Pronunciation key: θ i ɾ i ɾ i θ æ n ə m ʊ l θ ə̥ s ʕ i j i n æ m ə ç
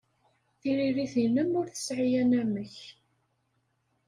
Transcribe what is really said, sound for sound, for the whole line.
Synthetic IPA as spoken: θ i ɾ i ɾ i θ i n ə m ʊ ɾ θ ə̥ s ʕ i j æ n æ m ə ç